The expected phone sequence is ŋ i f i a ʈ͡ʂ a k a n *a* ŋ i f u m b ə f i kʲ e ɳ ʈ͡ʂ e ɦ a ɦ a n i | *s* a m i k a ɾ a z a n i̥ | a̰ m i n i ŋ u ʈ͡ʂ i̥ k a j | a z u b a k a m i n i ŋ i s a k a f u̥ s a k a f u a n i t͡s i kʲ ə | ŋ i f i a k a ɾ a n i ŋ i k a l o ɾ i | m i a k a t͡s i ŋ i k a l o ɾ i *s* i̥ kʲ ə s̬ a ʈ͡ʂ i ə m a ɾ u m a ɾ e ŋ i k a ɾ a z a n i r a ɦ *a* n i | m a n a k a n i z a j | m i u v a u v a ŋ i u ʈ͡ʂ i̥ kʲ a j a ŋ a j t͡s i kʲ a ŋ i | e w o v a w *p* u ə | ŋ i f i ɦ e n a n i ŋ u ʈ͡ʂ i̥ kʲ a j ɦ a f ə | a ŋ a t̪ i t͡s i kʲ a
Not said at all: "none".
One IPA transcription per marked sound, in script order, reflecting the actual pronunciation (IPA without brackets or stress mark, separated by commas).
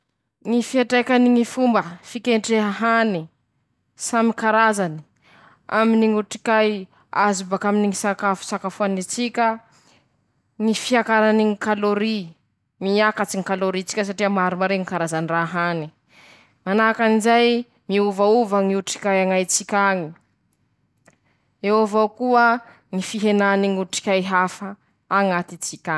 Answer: i, s, t͡s, a, k